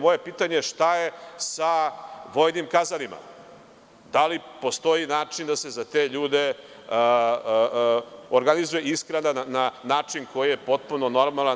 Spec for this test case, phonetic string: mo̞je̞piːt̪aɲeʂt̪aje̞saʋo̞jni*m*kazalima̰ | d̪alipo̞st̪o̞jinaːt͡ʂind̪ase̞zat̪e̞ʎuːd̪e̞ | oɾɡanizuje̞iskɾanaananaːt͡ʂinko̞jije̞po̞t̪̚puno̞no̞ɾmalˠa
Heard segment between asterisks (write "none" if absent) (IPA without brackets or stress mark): m